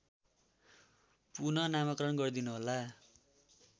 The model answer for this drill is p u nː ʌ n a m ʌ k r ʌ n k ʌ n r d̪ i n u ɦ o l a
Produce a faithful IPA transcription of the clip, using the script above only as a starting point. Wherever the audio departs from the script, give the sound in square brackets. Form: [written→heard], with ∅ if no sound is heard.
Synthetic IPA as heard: p u [nː→n] ʌ n a m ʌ k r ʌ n [k→ɡ] ʌ [n→∅] r d̪ i n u ɦ o l a